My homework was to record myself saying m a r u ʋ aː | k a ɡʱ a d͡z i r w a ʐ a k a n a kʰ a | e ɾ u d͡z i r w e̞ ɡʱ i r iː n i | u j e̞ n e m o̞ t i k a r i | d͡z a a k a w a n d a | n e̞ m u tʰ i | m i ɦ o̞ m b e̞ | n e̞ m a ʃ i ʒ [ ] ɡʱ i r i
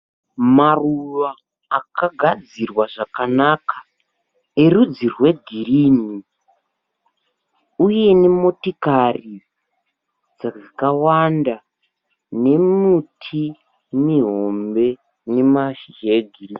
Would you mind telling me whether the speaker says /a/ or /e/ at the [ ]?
e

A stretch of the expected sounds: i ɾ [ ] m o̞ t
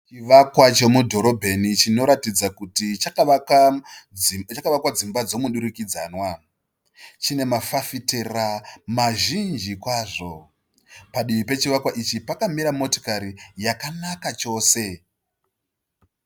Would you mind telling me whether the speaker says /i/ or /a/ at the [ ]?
a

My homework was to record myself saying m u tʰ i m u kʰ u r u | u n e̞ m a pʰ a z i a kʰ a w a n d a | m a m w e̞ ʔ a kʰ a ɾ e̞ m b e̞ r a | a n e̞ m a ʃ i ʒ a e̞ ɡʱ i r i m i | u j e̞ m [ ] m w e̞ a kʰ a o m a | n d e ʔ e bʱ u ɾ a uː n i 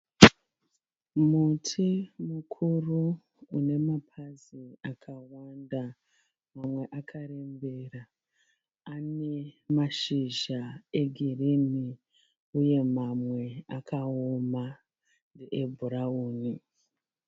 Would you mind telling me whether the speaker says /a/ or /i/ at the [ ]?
a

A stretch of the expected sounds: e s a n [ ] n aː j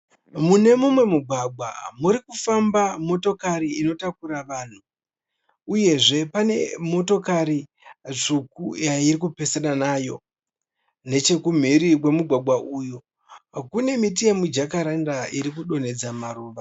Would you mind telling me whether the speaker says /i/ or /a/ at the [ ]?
a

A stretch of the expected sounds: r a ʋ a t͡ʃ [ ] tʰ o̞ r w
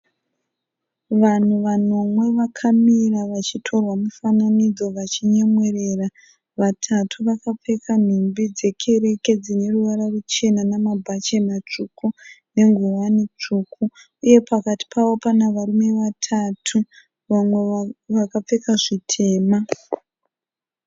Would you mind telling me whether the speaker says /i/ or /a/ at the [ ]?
i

